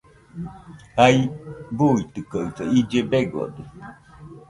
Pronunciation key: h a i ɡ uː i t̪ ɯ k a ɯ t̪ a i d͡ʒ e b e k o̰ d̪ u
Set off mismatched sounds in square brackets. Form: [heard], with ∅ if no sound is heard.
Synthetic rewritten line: h a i [b] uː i t̪ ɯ k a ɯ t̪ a i d͡ʒ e b e [ɡ] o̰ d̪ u

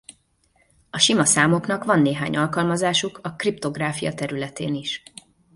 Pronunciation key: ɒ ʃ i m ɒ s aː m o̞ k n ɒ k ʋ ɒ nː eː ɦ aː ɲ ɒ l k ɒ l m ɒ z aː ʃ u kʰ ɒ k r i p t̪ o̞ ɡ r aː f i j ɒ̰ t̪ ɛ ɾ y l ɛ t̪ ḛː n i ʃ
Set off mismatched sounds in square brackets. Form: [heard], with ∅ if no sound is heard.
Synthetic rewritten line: ɒ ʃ i m ɒ s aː m o̞ k n ɒ k ʋ ɒ nː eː ɦ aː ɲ ɒ l k ɒ l m ɒ z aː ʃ u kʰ ɒ k r i p t̪ o̞ ɡ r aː f i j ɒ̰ t̪ ɛ ɾ y l ɛ t̪ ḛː n i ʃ

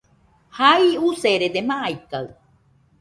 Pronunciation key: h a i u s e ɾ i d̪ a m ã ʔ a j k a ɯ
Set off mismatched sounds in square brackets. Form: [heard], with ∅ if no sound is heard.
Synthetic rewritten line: h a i u s e ɾ [e] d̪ [e] m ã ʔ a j k a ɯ

